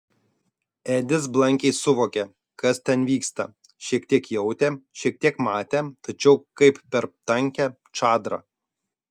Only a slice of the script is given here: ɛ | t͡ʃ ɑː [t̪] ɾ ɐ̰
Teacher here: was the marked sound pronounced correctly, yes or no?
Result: no